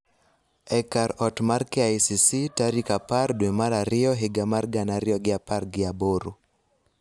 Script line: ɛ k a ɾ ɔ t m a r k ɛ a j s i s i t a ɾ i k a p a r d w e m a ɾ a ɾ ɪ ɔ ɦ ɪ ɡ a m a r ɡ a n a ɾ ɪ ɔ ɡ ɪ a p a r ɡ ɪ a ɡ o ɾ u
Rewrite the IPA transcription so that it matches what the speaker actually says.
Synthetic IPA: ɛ k a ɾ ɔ t m a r k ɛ a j s i s i t a ɾ i k a p a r d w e m a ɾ a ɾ ɪ ɔ ɦ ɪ ɡ a m a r ɡ a n a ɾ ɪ ɔ ɡ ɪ a p a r ɡ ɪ a b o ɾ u